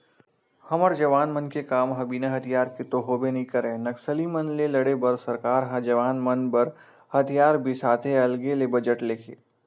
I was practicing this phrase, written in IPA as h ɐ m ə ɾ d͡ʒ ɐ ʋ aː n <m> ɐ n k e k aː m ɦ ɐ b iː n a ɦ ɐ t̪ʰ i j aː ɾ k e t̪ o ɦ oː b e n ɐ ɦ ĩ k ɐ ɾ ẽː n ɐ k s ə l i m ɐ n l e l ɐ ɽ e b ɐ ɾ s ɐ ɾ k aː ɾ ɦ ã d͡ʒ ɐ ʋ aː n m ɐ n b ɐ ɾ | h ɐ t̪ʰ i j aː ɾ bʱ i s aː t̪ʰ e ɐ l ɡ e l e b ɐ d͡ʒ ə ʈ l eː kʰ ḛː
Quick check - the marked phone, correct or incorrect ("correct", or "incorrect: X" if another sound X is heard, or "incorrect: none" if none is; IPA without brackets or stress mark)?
correct